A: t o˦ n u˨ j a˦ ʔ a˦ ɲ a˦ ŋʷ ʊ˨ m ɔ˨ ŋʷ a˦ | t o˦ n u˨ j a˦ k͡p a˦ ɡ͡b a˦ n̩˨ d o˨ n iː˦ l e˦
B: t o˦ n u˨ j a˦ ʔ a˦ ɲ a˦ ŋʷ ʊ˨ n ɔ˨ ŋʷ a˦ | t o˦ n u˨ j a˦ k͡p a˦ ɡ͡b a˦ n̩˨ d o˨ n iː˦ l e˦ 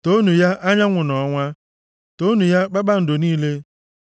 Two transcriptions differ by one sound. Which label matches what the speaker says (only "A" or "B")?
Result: B